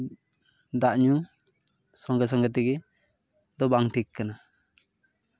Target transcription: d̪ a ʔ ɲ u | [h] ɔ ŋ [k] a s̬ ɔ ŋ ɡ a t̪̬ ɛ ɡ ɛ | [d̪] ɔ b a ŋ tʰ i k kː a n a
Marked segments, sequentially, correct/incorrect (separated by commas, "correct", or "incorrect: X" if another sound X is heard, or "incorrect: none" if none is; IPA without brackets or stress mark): incorrect: s, incorrect: ɡ, correct